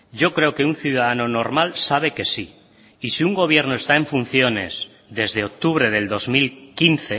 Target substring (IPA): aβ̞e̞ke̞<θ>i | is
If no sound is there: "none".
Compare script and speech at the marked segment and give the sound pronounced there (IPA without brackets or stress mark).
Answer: s